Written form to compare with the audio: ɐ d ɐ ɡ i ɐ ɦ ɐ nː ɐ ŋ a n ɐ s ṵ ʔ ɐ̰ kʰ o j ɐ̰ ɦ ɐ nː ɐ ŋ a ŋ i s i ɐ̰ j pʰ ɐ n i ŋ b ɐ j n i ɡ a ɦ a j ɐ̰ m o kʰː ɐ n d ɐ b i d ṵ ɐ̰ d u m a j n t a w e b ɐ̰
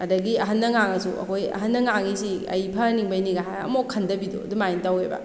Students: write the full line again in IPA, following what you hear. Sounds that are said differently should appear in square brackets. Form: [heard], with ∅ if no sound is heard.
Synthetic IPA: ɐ d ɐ ɡ i ɐ ɦ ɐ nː ɐ ŋ a [ŋ] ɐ s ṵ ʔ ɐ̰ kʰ o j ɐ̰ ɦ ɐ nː ɐ ŋ a ŋ i s i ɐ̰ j pʰ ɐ n i ŋ b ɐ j n i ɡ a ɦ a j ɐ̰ m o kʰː ɐ n d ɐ b i d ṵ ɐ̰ d u m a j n t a w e b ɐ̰